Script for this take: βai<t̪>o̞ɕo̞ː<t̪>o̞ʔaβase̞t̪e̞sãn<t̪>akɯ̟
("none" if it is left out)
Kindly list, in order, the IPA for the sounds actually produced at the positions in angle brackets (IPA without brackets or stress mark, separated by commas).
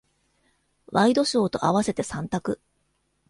d̪, t̪, t̪